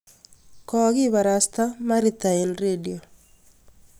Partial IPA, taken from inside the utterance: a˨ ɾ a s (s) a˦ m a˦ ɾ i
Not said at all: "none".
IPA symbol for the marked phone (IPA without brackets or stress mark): t